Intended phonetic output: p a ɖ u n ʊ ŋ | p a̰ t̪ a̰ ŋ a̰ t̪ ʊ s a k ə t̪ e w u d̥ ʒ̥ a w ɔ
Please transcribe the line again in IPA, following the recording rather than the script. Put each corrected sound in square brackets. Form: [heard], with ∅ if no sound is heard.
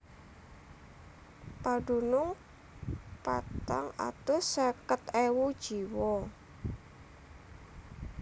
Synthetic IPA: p a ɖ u n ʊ ŋ | p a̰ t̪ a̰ ŋ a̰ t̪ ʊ s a k ə t̪ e w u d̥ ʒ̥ [i] w ɔ